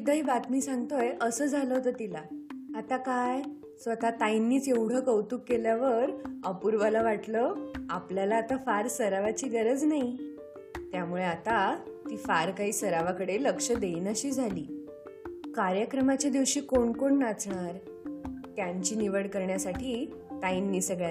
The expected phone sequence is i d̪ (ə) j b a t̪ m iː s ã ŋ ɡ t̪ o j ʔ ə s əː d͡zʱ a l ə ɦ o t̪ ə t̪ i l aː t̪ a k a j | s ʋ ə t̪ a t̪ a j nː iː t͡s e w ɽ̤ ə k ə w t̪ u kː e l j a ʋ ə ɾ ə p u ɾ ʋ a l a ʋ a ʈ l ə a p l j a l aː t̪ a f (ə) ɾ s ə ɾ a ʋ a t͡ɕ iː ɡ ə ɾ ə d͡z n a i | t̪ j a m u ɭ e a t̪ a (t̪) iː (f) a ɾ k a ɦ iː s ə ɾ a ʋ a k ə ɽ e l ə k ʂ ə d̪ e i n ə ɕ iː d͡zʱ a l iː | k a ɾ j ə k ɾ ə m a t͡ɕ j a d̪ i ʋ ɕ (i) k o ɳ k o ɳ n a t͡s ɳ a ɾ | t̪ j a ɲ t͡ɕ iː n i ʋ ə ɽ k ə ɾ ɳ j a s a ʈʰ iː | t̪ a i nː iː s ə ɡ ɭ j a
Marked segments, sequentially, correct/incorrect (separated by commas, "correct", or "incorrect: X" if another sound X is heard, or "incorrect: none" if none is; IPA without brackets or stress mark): correct, incorrect: a, correct, correct, incorrect: iː